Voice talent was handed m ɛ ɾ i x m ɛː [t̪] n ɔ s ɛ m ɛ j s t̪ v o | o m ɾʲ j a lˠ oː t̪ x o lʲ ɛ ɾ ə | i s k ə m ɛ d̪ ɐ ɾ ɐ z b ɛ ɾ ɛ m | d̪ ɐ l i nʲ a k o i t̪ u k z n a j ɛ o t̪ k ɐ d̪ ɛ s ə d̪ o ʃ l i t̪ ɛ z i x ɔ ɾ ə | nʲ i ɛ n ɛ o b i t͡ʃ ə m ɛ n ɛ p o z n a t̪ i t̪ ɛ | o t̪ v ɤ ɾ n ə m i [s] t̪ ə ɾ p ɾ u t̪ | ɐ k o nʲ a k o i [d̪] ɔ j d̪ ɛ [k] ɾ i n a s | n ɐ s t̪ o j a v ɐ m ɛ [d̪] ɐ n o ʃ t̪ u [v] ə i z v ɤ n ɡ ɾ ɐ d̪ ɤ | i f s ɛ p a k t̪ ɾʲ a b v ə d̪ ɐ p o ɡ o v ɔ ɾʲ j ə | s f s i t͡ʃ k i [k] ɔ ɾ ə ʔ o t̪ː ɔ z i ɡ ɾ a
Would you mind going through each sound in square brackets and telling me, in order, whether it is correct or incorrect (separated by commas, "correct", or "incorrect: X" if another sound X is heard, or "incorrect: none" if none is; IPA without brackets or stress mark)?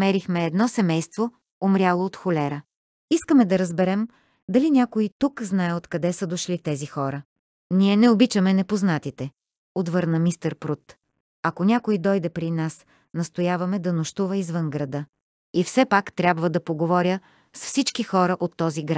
incorrect: d̪, correct, correct, incorrect: p, correct, correct, incorrect: x